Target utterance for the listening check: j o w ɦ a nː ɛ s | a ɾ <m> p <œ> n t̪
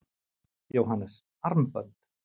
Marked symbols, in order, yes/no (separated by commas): yes, yes